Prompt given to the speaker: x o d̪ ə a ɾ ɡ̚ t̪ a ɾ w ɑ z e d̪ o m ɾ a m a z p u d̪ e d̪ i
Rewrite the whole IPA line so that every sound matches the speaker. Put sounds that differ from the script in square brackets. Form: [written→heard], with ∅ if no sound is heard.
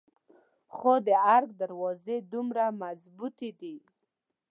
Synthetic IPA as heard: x o d̪ ə a ɾ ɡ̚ [t̪→d̪] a ɾ w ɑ z e d̪ [o→u] m ɾ a m a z [p→b] u [d̪→t̪] e d̪ i